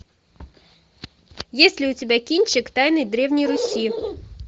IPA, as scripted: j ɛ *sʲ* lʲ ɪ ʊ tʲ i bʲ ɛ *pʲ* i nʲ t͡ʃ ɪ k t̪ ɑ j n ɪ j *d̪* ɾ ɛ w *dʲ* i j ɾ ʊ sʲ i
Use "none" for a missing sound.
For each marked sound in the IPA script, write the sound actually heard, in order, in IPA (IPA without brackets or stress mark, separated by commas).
sʲ, kʲ, d̪, nʲ